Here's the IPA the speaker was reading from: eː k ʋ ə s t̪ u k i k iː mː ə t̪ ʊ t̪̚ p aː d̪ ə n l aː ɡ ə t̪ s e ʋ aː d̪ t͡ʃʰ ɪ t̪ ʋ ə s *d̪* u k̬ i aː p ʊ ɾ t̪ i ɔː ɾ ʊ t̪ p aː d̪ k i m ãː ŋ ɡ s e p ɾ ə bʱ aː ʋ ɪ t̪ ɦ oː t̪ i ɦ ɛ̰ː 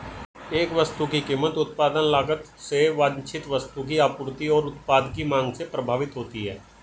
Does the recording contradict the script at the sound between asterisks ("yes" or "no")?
yes